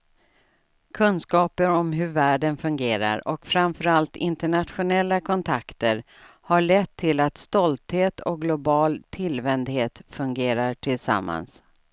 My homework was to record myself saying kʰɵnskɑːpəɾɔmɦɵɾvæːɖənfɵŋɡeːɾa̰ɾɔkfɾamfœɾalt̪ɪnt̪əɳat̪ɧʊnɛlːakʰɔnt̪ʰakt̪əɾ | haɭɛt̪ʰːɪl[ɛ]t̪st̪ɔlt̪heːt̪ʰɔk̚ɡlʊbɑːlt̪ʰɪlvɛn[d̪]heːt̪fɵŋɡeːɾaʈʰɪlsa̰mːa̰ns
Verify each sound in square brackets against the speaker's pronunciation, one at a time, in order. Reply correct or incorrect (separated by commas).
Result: incorrect, correct